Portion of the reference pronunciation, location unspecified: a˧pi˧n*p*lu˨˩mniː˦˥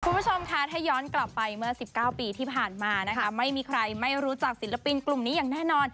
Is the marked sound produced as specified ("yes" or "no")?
no